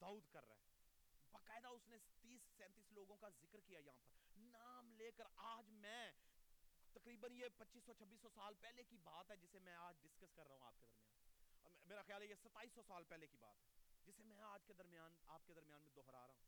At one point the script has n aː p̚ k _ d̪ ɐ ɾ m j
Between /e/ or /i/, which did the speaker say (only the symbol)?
e